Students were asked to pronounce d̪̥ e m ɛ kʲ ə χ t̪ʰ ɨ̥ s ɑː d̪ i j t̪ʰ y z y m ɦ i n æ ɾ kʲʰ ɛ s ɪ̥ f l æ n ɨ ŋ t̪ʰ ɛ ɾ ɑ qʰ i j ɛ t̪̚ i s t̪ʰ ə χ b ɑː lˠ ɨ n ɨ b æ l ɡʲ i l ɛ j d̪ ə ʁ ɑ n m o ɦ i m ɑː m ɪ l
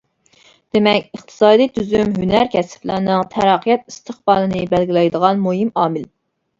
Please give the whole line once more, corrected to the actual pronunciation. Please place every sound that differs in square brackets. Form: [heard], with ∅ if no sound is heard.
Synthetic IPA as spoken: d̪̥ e m ɛ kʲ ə χ t̪ʰ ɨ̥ s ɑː d̪ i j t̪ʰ y z y m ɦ [y] n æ ɾ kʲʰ ɛ s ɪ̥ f l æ n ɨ ŋ t̪ʰ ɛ ɾ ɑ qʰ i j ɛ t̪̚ i s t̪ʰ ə χ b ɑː lˠ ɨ n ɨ b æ l ɡʲ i l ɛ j d̪ ə ʁ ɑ n m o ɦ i m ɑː m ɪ l